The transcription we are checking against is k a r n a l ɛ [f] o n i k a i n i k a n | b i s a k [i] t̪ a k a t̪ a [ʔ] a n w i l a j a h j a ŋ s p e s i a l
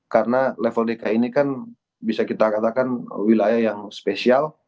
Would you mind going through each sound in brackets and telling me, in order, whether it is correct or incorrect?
correct, correct, incorrect: k

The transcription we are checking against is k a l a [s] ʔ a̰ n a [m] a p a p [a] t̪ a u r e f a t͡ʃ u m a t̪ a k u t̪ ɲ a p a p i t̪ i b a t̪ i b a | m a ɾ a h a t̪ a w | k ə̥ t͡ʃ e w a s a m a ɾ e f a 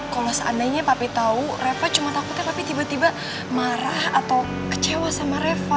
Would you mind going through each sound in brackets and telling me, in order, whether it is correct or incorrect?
correct, incorrect: ɲ, incorrect: i

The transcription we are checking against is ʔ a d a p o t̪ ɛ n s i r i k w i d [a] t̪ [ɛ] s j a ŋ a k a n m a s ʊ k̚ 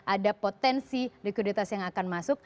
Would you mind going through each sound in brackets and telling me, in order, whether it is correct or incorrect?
incorrect: i, incorrect: a

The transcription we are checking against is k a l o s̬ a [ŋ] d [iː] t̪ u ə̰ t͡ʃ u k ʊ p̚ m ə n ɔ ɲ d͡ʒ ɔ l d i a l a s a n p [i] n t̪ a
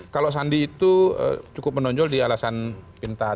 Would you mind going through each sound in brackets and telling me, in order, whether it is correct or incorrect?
incorrect: n, correct, correct

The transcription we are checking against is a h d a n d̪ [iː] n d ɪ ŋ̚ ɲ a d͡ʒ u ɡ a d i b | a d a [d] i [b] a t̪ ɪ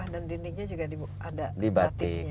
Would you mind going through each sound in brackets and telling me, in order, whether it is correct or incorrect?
incorrect: i, correct, correct

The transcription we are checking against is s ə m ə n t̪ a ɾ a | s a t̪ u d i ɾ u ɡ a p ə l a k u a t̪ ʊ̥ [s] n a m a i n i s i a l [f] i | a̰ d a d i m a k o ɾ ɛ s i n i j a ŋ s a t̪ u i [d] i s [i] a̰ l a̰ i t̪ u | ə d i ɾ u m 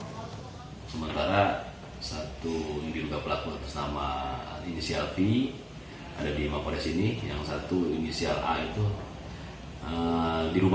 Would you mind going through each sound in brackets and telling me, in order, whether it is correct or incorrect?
correct, correct, incorrect: n, correct

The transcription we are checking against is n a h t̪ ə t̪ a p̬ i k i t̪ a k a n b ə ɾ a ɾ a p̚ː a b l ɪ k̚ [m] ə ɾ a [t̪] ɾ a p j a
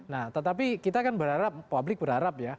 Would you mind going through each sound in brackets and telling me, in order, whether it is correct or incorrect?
incorrect: b, incorrect: none

